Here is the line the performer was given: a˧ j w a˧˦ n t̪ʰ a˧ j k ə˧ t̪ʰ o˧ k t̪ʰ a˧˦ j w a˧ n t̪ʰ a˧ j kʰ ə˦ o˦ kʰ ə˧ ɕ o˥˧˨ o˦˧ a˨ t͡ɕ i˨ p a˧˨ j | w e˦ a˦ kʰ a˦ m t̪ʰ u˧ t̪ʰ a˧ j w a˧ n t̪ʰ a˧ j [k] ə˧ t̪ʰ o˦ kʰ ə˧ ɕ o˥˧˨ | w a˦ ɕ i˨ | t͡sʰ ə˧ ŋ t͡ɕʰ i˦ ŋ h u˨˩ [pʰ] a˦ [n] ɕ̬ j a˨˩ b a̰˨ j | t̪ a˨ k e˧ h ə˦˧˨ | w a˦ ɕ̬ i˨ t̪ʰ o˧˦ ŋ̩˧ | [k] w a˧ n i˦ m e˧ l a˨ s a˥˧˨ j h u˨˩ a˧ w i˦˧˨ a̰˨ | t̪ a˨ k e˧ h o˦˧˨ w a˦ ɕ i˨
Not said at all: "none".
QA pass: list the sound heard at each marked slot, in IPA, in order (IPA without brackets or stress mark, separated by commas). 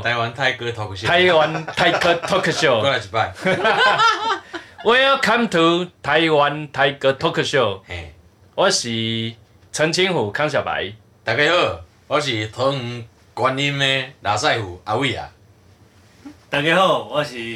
k, kʰ, ŋ, k